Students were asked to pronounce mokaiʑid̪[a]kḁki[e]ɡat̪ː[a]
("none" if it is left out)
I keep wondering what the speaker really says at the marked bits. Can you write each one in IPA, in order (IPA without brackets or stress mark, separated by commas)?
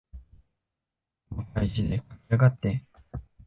e, a, e